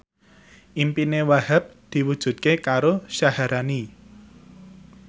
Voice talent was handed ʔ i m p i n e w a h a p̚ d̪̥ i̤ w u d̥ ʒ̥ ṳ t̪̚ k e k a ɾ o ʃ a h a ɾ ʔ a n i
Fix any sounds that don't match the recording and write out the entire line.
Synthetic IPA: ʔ i m p i n e w a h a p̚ d̪̥ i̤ w u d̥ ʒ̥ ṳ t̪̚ k e k a ɾ o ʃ a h a ɾ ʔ a n i